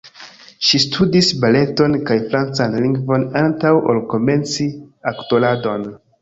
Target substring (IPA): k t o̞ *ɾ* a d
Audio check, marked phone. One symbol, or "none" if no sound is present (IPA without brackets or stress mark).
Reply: l